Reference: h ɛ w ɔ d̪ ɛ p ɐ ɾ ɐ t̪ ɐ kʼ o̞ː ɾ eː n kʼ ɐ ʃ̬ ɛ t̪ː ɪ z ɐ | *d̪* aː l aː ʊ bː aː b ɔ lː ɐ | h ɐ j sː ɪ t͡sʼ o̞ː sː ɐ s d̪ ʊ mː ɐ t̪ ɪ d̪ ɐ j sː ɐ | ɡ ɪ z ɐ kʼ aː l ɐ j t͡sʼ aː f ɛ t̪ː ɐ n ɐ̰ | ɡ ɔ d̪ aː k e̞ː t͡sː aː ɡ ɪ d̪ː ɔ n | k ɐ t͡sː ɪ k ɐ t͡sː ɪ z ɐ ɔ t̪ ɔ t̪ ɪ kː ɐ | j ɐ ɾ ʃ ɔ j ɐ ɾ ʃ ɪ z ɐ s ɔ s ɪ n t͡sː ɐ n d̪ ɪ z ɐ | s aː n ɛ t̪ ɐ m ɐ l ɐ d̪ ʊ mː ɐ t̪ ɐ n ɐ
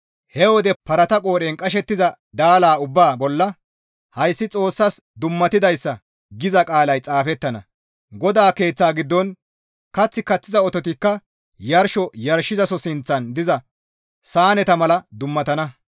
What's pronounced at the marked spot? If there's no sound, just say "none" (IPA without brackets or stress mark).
d̪